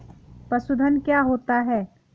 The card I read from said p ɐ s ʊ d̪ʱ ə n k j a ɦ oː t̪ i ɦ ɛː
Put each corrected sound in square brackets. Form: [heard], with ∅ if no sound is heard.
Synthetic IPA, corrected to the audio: p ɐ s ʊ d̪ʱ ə n k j a ɦ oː t̪ [a] ɦ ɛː

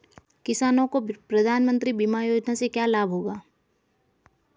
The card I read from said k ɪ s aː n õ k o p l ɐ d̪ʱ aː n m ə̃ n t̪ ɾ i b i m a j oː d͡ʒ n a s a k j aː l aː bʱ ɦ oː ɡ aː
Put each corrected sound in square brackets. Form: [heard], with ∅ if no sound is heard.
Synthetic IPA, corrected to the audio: k ɪ s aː n õ k o p [ɾ] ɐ d̪ʱ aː n m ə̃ n t̪ ɾ i b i m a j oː d͡ʒ n a s [e] k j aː l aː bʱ ɦ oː ɡ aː

